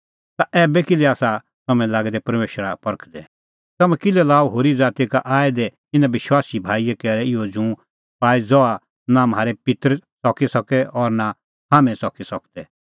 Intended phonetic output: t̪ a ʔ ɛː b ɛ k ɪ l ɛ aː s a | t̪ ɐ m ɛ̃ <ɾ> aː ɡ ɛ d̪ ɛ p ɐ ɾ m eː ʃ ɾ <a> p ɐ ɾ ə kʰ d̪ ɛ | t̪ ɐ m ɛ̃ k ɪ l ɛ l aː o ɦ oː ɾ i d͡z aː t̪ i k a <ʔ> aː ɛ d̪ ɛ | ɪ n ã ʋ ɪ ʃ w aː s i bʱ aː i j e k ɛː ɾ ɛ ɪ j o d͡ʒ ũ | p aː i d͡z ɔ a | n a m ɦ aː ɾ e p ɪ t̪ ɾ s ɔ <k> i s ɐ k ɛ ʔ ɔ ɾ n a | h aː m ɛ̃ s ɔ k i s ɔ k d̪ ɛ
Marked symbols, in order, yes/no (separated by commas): no, yes, yes, yes